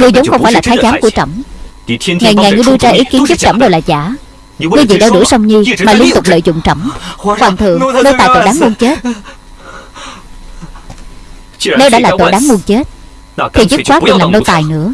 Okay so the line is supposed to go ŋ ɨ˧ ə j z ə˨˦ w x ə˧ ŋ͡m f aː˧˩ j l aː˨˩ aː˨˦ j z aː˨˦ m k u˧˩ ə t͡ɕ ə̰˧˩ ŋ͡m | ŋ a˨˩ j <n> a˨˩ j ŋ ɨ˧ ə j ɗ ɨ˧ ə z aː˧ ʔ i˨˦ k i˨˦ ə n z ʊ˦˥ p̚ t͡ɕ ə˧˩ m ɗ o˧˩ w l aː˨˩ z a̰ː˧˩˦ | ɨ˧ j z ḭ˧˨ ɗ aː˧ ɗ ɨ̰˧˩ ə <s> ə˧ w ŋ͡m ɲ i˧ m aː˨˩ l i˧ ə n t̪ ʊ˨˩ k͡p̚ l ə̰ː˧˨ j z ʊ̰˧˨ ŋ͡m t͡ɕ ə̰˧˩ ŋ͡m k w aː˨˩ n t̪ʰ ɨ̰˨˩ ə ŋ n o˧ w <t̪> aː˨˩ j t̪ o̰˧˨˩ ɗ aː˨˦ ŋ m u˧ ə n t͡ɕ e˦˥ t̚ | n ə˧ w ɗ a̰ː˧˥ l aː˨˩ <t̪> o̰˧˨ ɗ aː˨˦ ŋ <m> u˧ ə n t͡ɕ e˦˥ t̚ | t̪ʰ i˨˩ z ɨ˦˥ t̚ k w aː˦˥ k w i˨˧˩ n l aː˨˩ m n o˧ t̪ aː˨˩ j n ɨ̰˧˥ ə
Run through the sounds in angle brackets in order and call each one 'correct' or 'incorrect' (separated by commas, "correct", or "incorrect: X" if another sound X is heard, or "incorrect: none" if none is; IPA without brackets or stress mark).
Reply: incorrect: ŋ, correct, correct, correct, correct